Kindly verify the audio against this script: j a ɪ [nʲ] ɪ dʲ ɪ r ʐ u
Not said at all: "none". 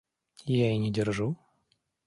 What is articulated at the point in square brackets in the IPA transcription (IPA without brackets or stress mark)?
nʲ